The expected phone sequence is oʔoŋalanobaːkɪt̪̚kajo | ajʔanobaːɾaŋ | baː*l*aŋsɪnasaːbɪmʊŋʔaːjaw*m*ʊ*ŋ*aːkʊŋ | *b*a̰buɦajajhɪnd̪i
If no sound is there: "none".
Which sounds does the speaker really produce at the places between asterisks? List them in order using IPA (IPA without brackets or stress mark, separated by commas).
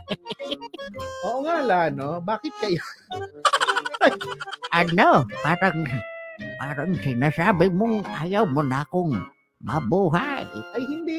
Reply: ɾ, m, n, m